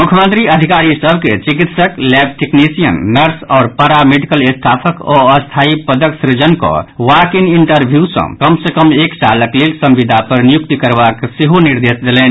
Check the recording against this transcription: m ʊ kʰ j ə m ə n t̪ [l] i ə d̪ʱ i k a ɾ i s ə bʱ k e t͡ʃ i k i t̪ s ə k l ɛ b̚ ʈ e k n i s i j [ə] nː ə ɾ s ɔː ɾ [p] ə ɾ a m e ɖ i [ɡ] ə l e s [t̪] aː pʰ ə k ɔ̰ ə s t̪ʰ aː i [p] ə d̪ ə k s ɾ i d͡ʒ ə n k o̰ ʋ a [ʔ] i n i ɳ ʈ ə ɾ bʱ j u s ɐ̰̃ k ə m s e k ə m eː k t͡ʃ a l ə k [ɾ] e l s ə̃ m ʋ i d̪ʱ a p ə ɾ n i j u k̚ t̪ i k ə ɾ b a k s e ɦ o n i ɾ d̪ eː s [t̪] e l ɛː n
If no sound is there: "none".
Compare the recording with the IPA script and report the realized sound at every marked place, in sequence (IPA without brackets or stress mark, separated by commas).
ɾ, ə, p, k, t̪ʰ, p, k, l, d̪